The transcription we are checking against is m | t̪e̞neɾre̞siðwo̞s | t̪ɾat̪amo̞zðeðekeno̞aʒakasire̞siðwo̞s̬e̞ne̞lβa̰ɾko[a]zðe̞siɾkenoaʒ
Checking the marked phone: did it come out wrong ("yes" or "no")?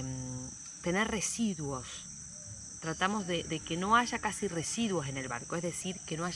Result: yes